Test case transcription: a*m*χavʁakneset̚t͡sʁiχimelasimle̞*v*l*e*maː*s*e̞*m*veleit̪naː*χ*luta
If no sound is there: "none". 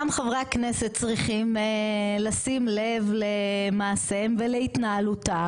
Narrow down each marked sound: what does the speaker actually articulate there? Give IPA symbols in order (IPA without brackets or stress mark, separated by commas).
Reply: m, v, e, s, m, none